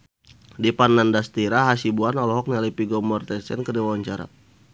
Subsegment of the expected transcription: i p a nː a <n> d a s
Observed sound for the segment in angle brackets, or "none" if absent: n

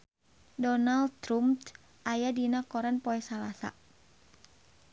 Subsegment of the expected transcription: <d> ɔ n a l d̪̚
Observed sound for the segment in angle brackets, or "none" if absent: d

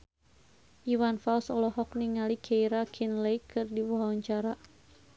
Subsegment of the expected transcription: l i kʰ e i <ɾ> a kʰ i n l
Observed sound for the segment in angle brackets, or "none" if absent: ɾ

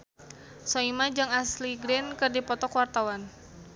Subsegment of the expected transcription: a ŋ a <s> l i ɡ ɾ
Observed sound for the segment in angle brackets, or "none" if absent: s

